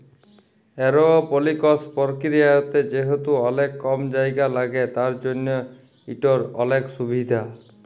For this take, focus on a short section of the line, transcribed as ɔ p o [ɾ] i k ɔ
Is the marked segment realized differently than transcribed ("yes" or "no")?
yes